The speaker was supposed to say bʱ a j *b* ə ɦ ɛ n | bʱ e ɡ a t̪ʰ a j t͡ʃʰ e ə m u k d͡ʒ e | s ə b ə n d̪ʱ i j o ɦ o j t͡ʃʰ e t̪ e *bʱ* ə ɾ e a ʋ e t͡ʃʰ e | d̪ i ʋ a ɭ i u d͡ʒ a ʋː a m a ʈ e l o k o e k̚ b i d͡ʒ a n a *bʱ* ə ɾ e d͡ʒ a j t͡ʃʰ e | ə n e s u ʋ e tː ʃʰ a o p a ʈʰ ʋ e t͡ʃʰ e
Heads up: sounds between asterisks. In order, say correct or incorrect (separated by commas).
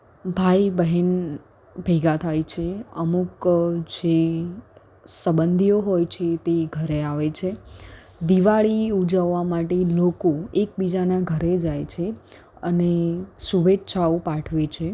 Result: correct, incorrect, incorrect